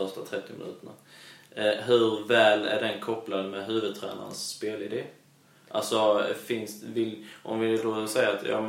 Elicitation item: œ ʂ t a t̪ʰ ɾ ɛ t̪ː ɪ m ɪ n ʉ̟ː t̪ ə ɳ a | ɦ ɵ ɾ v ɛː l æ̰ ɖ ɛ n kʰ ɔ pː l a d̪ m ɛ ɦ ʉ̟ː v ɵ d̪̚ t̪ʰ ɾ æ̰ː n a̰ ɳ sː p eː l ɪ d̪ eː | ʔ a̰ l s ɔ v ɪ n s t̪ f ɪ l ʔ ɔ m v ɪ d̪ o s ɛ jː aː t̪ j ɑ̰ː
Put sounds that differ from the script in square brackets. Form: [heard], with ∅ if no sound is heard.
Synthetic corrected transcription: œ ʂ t a t̪ʰ ɾ ɛ t̪ː ɪ m ɪ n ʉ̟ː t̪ ə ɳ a | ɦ ɵ ɾ v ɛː l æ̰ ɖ ɛ n kʰ ɔ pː l a d̪ m ɛ ɦ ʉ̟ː v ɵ d̪̚ t̪ʰ ɾ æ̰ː n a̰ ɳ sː p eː l ɪ d̪ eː | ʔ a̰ l s ɔ [f] ɪ n s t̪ [v] ɪ l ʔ ɔ m v ɪ d̪ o s ɛ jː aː t̪ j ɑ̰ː